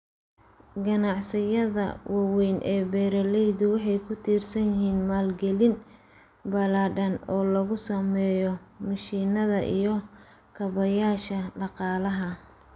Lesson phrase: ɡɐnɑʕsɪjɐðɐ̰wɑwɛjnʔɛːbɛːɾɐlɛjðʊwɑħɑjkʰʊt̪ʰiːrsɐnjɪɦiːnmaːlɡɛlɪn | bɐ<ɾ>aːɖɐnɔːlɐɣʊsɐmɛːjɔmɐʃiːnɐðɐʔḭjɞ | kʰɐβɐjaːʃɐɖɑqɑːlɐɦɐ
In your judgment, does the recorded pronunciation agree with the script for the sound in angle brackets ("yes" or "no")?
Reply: no